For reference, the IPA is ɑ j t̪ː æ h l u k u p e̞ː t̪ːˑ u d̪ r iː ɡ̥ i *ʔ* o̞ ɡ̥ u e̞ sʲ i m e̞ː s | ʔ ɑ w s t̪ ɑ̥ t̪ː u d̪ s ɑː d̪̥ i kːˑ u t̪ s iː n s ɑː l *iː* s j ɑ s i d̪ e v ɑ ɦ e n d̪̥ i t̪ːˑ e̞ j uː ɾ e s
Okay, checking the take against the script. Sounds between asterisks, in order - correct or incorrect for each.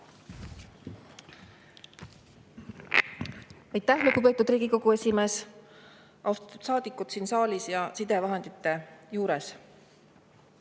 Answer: incorrect, incorrect

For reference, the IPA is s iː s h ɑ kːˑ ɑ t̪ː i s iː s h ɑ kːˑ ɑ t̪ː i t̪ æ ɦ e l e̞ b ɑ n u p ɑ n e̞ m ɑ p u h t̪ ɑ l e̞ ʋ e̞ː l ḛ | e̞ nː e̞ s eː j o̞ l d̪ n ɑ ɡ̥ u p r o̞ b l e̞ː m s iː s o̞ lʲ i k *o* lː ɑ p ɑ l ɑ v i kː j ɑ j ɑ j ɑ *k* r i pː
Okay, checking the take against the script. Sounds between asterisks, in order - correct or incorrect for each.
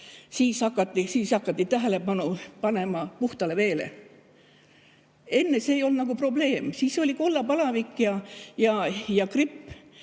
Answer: correct, correct

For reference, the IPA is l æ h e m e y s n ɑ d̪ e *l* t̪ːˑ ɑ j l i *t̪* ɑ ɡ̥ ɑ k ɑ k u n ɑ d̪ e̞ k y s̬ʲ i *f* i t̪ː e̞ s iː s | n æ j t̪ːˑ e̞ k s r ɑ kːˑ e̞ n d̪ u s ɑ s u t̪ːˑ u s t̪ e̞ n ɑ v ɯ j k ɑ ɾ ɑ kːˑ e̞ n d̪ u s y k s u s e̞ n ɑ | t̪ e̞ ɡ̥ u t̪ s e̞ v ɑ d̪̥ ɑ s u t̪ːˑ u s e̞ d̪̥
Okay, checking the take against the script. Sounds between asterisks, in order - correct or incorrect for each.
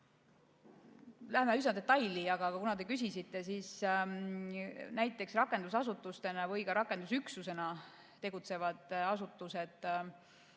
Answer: incorrect, incorrect, incorrect

